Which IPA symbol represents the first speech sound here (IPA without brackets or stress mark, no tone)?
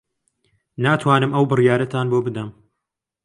n